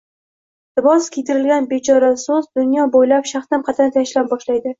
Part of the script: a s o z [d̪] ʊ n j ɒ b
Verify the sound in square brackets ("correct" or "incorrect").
correct